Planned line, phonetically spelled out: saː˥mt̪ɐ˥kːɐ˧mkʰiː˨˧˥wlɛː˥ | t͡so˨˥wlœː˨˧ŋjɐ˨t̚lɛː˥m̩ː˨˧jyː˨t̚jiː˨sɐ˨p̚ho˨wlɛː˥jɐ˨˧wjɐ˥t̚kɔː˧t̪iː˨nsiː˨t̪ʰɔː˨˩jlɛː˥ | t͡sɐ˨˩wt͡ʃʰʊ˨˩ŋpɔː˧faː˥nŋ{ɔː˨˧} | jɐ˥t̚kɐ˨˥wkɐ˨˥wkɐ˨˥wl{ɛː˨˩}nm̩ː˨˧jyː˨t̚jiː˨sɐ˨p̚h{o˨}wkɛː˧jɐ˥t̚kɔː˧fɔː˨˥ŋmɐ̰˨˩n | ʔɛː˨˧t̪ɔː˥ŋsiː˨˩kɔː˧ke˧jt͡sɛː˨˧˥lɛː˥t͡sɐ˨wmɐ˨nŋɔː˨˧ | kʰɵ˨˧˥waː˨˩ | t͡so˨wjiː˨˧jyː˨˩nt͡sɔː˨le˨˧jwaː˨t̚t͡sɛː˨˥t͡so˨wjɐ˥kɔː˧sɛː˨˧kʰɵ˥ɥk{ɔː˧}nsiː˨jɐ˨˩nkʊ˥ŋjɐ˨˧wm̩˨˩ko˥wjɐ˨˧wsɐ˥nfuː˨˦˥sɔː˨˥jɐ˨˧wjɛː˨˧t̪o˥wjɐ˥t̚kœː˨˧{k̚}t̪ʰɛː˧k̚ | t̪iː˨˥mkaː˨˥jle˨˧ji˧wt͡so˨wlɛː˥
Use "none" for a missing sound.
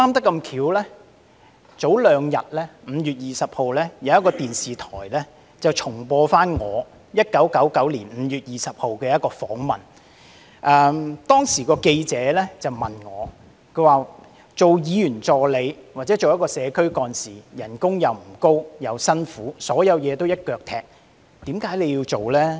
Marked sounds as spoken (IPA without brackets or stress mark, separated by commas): ɔː˨˧, iː˨˩, o˨, ɔː˧, k̚